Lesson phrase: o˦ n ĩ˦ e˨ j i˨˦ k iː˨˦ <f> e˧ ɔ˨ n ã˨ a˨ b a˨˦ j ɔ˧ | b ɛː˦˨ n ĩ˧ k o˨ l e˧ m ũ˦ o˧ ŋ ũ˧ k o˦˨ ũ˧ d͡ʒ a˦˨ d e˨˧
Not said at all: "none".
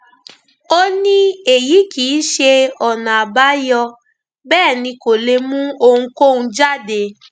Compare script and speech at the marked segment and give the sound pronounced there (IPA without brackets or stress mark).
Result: ʃ